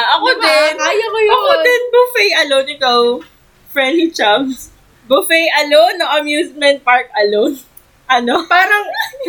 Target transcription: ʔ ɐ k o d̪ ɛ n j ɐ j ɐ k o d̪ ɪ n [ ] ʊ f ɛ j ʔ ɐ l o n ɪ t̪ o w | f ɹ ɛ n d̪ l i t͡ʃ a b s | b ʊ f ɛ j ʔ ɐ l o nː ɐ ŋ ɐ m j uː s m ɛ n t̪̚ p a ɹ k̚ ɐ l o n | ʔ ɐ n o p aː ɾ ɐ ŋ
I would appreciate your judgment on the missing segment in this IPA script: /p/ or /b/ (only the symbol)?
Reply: b